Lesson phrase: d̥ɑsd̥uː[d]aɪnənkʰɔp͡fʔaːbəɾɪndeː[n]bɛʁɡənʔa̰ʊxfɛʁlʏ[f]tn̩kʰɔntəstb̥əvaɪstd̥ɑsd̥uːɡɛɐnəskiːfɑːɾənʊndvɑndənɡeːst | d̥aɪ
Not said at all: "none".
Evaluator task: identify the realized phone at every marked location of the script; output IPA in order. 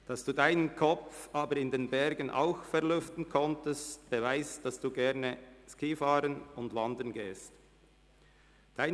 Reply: d, n, f

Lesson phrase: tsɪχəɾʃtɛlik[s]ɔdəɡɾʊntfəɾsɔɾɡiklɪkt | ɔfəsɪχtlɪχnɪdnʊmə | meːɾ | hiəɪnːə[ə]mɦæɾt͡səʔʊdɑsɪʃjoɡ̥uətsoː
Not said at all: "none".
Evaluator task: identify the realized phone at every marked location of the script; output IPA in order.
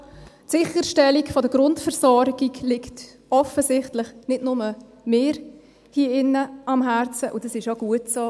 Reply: f, ɑ

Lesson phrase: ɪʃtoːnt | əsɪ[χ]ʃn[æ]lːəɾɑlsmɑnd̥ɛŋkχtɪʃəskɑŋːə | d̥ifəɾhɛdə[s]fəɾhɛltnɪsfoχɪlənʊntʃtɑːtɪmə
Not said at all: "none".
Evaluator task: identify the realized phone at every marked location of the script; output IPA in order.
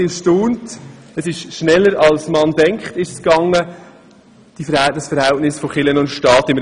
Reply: ʃ, ɛ, s

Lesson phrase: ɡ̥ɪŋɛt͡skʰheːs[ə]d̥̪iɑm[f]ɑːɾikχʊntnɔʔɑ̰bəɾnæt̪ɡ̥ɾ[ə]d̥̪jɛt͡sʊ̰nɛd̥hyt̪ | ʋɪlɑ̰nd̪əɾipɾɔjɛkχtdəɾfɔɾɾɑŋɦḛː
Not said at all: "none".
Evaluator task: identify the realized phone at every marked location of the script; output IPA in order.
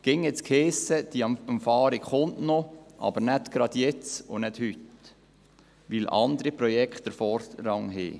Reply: ə, f, ɑ

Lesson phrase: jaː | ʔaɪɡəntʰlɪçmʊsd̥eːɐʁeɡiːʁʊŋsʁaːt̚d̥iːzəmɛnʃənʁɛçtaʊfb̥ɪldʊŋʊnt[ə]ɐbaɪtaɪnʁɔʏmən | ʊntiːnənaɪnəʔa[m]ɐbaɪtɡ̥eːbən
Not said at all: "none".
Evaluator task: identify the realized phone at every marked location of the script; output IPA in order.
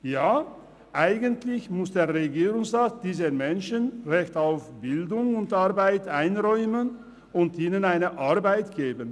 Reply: a, none

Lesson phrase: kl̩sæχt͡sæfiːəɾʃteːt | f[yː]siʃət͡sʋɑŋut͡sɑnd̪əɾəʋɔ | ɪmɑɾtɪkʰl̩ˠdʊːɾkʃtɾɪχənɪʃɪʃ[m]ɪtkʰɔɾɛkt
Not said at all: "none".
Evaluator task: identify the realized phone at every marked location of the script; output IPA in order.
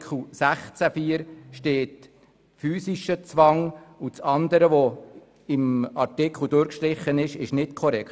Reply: yː, n

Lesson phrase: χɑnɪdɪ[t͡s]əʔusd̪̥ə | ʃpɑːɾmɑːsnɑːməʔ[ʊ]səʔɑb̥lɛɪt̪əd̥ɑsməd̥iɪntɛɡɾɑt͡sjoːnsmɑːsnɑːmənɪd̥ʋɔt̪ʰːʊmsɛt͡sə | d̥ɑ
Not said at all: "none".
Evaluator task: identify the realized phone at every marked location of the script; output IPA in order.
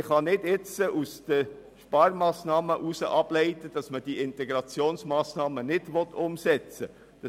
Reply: t͡s, u

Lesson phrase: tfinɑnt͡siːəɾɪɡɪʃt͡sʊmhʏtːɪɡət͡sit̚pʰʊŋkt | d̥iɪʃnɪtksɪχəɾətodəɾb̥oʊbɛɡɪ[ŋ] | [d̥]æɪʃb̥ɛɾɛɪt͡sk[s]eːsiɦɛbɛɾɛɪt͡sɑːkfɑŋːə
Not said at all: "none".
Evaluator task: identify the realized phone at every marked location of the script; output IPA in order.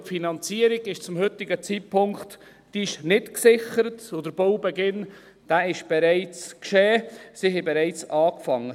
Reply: n, d̥, ʃ

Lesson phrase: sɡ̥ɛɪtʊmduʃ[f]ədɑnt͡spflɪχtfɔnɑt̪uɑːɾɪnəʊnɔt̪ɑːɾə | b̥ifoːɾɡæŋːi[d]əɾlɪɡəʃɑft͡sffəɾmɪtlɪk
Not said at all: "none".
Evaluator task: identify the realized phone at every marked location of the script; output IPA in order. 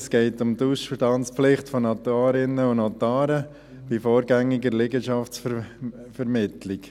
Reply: f, ɡ

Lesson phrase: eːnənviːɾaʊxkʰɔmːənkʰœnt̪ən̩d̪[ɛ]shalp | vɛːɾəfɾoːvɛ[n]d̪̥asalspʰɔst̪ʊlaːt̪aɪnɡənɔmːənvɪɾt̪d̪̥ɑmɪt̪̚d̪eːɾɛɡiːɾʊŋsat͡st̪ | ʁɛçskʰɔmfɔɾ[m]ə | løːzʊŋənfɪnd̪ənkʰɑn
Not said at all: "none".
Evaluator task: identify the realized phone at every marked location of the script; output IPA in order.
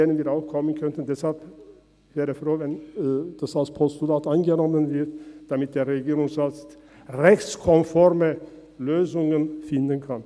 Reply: ɛ, n, m

